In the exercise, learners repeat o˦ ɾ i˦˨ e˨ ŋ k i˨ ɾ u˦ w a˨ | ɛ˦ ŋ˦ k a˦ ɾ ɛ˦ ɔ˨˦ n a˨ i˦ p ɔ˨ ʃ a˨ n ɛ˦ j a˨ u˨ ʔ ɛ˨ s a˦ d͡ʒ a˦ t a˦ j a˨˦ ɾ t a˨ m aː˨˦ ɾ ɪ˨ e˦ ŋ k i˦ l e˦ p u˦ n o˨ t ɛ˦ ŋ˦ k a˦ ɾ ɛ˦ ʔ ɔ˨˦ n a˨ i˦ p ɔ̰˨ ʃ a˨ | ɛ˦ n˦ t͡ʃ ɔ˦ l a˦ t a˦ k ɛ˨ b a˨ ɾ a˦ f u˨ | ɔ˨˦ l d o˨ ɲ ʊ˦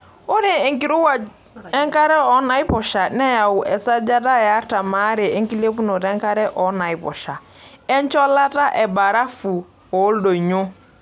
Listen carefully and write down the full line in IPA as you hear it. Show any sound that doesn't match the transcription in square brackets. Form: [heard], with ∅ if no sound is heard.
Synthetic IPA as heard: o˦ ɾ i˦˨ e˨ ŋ k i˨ ɾ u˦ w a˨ | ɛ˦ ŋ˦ k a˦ ɾ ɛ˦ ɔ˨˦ n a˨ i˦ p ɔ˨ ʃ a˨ n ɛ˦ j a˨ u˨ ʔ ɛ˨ s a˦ d͡ʒ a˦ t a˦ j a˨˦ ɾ t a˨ m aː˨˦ ɾ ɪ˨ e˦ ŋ k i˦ l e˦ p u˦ n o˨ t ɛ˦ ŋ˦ k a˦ ɾ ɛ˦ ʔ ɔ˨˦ n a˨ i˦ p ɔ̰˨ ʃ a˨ | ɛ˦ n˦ t͡ʃ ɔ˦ l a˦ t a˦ [ʔ] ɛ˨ b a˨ ɾ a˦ f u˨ | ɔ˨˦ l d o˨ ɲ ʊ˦